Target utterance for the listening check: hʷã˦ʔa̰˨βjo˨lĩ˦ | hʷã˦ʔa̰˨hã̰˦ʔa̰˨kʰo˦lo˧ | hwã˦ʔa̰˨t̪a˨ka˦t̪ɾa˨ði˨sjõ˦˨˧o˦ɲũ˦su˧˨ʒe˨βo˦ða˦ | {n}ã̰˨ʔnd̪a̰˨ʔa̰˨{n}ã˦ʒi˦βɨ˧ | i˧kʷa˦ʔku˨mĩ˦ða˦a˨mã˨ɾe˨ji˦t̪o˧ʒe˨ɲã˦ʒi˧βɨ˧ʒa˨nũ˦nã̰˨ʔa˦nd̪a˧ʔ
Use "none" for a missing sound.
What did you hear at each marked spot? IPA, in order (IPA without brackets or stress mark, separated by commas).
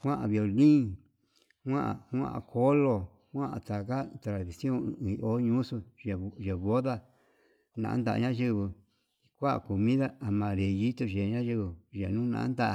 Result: n, ɲ